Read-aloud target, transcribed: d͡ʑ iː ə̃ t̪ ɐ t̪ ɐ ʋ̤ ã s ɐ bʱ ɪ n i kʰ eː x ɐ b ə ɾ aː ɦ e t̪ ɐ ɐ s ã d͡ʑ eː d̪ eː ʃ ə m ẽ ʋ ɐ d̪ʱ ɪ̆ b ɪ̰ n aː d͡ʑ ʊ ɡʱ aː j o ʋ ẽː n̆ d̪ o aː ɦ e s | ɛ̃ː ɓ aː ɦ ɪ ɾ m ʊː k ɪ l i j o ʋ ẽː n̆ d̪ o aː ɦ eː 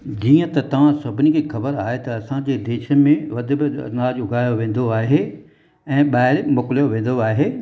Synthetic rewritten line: d͡ʑ iː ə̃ t̪ ɐ t̪ ɐ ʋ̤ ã s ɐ bʱ ɪ n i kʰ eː x ɐ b ə ɾ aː ɦ e t̪ ɐ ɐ s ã d͡ʑ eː d̪ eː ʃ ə m ẽ ʋ ɐ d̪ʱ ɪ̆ b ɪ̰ n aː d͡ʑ ʊ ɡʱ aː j o ʋ ẽː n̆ d̪ o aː ɦ e | ɛ̃ː ɓ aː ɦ ɪ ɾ m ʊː k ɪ l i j o ʋ ẽː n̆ d̪ o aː ɦ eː